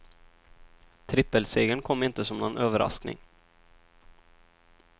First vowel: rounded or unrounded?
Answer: unrounded